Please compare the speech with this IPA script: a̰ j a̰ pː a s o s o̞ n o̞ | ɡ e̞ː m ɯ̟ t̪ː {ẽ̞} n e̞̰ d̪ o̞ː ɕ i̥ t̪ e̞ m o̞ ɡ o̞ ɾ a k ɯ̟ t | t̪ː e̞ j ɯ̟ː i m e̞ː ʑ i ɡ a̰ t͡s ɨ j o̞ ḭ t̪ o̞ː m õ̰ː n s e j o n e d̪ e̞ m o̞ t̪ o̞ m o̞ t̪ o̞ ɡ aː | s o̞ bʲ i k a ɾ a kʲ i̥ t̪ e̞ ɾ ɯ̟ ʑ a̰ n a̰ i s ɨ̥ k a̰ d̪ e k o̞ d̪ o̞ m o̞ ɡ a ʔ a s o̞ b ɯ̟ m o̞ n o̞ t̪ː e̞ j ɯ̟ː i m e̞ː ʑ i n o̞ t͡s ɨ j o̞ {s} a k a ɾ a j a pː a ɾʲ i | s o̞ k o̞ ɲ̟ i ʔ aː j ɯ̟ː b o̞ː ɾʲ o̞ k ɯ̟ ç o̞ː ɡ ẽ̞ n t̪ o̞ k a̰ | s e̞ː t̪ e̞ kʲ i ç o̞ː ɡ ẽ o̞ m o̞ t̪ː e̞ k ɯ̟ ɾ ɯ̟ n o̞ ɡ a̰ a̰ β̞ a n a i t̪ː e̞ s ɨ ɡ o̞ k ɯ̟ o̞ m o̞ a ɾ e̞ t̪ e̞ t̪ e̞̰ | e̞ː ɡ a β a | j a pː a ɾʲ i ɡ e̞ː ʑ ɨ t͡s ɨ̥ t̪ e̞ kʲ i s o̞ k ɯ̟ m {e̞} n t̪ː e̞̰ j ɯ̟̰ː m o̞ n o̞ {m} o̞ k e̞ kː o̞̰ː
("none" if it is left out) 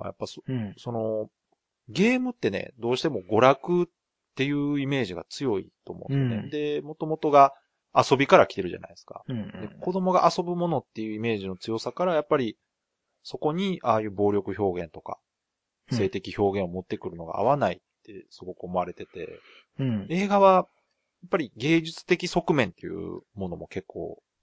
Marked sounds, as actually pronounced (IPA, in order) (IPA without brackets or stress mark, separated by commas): e̞, s, ẽ̞, m